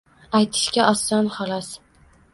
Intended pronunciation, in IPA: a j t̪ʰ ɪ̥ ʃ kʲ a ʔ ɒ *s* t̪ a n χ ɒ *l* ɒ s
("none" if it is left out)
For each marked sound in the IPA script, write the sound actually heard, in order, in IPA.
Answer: s, l

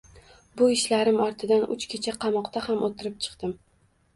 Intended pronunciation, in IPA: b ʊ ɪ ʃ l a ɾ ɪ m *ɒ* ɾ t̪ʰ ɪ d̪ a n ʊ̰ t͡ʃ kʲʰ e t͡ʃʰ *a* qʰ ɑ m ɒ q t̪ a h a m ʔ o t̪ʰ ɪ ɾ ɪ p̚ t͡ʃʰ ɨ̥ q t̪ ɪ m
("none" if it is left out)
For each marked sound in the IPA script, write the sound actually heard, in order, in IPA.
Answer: ɒ, a

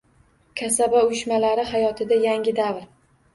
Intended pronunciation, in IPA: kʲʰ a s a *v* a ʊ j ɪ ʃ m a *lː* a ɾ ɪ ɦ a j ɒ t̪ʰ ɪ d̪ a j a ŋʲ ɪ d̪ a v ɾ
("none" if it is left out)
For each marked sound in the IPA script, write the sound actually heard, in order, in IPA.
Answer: b, l

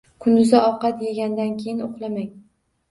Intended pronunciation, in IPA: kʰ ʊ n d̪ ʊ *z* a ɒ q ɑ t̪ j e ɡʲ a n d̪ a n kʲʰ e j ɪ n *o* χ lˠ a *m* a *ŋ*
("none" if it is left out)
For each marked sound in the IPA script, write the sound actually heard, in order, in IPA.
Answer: z, o, m, ŋ

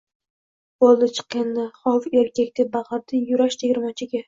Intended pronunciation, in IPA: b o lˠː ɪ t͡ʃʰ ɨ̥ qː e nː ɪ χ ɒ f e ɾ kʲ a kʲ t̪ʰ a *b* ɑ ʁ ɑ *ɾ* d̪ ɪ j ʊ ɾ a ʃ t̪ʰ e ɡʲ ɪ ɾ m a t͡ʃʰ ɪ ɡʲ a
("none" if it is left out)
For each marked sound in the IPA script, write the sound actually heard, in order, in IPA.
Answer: b, ɾ

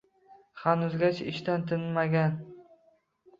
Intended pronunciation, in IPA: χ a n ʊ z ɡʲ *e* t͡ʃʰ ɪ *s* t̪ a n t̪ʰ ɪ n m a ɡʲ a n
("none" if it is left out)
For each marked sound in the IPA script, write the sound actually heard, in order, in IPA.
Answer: a, ʃ

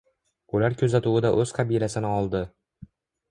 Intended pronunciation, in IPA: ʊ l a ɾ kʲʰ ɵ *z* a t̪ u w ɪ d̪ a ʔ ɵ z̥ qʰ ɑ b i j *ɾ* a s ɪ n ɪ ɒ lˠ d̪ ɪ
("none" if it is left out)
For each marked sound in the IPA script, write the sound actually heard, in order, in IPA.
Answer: z, l

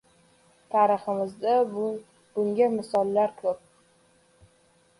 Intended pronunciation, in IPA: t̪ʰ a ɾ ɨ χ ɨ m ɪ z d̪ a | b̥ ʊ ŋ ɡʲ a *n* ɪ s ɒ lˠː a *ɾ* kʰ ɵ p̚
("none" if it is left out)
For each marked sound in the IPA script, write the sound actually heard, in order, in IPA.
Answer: m, ɾ

